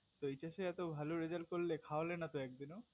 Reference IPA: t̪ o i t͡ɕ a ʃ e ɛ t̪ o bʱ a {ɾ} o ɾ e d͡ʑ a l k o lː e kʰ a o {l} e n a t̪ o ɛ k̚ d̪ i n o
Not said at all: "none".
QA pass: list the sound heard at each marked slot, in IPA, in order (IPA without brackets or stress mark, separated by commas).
l, l